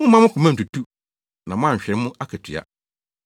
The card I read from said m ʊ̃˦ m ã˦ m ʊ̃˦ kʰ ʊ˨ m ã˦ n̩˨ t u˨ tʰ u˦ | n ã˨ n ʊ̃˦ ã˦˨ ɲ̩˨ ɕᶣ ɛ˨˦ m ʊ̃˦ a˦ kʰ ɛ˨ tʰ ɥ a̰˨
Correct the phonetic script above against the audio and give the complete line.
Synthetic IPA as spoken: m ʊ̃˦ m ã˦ m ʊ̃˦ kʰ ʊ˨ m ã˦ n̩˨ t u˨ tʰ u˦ | n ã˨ m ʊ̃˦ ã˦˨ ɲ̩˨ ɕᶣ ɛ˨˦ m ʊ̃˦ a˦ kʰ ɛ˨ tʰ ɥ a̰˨